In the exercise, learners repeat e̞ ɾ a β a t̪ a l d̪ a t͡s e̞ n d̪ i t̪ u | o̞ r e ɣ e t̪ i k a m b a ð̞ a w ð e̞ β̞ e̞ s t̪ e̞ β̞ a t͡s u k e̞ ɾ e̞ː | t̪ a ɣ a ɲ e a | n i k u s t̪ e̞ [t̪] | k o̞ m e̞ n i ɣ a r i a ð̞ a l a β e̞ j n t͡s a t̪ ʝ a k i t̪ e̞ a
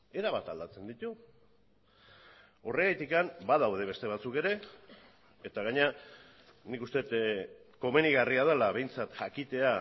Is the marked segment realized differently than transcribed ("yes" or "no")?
no